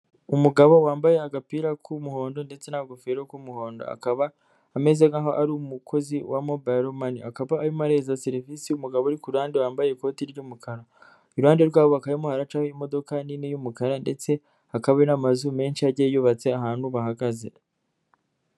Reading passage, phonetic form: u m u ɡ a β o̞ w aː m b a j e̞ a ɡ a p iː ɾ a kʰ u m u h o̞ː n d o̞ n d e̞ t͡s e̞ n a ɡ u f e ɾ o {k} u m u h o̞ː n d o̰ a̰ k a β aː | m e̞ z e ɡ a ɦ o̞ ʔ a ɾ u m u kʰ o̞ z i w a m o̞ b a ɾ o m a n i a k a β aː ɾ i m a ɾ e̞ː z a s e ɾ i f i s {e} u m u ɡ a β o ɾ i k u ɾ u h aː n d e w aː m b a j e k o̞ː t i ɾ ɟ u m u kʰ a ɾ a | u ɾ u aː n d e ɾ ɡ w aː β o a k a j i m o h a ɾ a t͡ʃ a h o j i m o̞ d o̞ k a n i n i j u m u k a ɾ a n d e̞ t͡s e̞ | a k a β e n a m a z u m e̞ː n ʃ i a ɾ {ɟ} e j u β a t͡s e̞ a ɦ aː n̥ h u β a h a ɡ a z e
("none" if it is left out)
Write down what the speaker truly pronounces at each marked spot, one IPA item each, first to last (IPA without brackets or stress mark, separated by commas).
k, i, ɟ